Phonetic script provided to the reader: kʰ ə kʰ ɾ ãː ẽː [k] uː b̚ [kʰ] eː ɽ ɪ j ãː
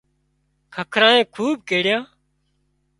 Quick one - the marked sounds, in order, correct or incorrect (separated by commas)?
incorrect, incorrect